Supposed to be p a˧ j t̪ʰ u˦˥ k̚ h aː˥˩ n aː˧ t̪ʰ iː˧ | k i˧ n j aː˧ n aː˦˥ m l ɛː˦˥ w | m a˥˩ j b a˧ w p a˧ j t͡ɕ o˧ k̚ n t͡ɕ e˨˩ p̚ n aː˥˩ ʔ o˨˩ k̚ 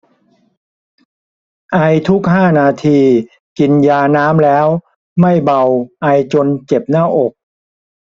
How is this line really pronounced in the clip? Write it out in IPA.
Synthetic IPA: ʔ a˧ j t̪ʰ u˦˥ k̚ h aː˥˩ n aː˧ t̪ʰ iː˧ | k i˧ n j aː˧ n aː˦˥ m l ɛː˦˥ w | m a˥˩ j b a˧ w ʔ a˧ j t͡ɕ o˧ n t͡ɕ e˨˩ p̚ n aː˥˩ ʔ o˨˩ k̚